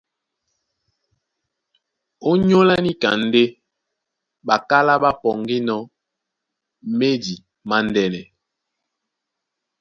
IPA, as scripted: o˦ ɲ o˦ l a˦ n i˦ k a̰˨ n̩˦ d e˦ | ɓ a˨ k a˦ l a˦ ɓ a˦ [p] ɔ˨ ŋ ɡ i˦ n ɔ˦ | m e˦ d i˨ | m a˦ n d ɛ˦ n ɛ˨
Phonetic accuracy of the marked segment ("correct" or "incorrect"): correct